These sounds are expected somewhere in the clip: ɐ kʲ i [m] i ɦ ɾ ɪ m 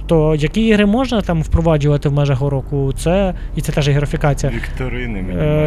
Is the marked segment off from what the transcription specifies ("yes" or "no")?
yes